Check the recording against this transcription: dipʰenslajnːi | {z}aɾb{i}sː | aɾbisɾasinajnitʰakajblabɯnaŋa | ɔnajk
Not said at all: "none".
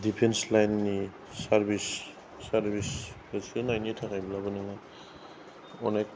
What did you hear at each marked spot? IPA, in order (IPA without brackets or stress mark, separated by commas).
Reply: s, i